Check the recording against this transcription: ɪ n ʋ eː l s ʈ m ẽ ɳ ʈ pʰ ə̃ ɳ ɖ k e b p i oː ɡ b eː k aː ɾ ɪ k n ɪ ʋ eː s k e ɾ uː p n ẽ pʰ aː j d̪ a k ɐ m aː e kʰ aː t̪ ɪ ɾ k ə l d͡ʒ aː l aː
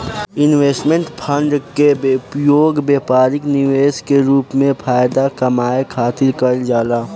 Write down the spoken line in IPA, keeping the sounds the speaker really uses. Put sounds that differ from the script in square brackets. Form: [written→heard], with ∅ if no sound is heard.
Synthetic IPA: ɪ n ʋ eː [l→∅] s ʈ m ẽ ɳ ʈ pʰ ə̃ ɳ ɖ k e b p [i→j] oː ɡ b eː [k→p] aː ɾ ɪ k n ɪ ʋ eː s k e ɾ uː p [n→m] ẽ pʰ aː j d̪ a k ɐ m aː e kʰ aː t̪ ɪ ɾ k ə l d͡ʒ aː l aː